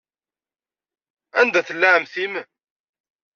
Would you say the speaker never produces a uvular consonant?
yes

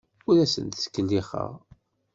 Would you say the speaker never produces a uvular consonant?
no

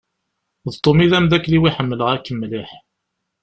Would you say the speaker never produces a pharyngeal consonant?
no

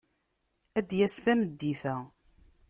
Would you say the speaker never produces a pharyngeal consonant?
yes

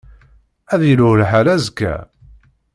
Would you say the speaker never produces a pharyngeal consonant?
no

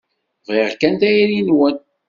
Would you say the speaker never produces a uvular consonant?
no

